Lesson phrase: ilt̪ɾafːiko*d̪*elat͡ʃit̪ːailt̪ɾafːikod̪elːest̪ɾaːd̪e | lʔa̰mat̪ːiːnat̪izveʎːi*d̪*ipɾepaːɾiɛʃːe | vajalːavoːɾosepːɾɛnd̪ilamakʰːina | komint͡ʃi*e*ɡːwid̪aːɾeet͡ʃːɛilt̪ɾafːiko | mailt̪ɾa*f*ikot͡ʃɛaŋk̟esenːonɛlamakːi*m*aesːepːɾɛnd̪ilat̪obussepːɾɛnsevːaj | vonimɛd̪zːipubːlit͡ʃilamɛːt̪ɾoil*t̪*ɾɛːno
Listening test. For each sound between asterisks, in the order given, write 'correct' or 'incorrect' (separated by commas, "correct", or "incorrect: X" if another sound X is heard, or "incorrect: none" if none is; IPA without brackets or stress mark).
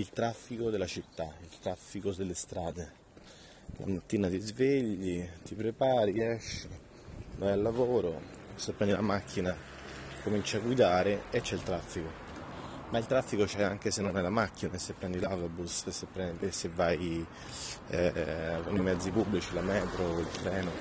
correct, incorrect: t̪, incorrect: a, incorrect: fː, incorrect: n, correct